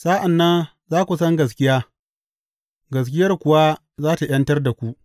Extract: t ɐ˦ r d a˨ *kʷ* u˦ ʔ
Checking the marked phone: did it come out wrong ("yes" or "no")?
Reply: no